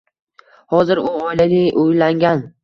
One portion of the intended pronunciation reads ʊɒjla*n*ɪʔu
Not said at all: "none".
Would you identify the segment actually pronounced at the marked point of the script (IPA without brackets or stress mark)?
n